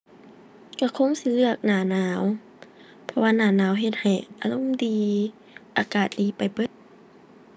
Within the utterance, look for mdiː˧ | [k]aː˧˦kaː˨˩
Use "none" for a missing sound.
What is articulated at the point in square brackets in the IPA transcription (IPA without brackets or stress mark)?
ʔ